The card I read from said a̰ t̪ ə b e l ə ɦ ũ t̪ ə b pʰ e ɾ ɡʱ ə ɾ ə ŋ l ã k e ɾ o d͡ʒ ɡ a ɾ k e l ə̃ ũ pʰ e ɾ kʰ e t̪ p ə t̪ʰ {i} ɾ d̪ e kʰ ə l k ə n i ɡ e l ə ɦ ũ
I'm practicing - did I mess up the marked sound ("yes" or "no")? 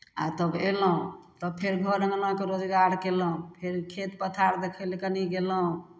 yes